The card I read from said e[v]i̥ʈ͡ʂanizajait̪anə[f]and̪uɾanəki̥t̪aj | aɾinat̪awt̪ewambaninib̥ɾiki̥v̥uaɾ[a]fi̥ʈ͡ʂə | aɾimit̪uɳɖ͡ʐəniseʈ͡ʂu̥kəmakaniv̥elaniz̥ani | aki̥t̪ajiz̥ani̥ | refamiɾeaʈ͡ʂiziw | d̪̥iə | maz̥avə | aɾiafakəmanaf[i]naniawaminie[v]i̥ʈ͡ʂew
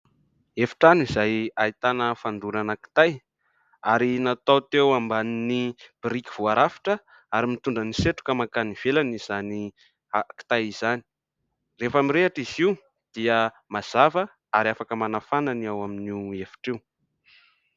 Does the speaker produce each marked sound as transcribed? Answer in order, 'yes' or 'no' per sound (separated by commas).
no, yes, yes, no, no